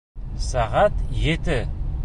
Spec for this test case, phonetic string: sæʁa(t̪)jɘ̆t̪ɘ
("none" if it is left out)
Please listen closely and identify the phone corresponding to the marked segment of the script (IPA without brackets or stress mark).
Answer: t̪